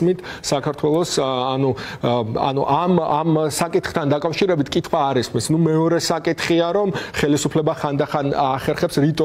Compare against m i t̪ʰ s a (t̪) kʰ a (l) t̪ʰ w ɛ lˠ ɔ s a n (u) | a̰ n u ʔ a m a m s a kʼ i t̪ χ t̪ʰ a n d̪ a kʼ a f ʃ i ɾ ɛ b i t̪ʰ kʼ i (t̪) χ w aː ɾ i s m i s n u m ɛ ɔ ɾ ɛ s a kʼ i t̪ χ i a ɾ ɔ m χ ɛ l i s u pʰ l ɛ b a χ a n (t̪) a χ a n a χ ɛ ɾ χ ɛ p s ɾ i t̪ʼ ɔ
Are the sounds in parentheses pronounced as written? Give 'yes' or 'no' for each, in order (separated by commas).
no, no, yes, no, no